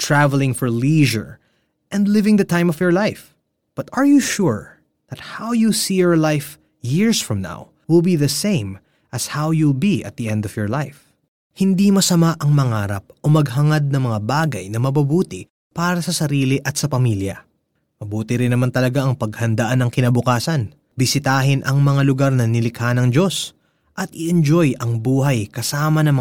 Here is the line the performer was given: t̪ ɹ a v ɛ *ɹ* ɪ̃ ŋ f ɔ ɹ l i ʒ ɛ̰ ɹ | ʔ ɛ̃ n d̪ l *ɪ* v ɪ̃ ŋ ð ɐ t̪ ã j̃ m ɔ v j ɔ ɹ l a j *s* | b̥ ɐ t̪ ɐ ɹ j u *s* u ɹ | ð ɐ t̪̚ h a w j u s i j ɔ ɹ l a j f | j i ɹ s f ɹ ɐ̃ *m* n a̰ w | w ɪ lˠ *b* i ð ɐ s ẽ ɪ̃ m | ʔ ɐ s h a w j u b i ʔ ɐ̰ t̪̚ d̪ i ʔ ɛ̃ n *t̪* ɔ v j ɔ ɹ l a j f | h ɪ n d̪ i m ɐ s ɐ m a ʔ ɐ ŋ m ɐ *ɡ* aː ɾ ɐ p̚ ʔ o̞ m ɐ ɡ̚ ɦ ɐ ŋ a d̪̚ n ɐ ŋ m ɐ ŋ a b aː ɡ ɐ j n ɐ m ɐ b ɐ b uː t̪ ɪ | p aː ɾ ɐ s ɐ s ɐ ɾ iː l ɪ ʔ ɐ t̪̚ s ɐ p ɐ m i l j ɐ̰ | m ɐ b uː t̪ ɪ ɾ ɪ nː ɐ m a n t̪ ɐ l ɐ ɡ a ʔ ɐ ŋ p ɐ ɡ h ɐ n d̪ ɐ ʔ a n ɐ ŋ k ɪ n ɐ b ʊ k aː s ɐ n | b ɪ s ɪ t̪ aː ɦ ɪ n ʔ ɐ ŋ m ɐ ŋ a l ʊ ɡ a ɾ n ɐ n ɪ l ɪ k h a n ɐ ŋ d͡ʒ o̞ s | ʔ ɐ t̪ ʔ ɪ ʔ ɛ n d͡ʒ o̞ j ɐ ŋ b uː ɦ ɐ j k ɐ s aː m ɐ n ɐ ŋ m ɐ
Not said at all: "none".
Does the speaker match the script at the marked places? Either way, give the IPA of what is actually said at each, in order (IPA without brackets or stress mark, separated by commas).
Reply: l, ɪ, f, ʃ, m, b, d̪, ŋ